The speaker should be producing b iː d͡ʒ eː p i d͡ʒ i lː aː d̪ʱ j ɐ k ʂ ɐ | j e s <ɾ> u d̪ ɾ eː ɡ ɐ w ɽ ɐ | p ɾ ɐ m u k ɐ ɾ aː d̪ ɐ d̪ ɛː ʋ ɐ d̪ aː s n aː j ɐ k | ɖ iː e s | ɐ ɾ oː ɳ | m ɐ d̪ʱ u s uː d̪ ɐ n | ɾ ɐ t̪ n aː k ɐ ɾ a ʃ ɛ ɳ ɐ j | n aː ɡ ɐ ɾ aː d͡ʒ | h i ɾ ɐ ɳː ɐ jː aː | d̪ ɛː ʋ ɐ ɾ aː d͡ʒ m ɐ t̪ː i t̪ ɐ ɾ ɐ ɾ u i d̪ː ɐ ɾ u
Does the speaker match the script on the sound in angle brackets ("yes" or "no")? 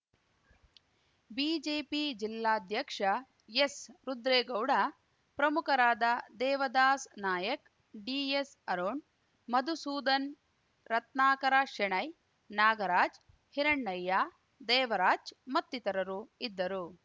yes